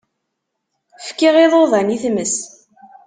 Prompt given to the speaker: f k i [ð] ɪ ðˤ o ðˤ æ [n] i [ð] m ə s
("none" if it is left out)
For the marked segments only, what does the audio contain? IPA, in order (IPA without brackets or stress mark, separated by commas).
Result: ʁ, n, θ